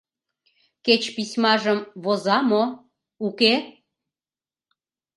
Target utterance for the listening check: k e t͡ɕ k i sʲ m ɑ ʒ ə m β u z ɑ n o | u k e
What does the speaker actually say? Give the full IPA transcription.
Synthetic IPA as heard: k e t͡ɕ p i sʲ m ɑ ʒ ə m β o z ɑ m o | u k e